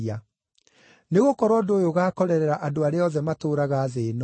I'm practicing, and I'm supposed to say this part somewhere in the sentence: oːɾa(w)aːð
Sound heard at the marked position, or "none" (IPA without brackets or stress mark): ɣ